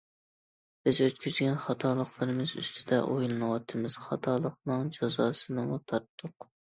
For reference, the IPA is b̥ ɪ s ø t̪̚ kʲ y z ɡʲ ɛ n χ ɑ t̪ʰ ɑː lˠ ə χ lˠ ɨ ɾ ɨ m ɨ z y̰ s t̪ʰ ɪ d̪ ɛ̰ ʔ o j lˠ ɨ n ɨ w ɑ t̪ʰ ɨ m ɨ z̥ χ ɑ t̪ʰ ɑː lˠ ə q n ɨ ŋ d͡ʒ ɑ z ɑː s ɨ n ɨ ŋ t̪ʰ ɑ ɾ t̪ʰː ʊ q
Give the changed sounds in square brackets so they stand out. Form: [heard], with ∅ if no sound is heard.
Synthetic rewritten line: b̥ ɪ [z] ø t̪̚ kʲ y z ɡʲ ɛ n χ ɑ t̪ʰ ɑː lˠ ə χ lˠ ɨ ɾ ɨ m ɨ z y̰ s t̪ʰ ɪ d̪ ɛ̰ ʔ o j lˠ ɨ n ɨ w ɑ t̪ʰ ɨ m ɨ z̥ χ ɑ t̪ʰ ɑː lˠ ə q n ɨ ŋ d͡ʒ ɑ z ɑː s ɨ n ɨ ŋ t̪ʰ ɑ ɾ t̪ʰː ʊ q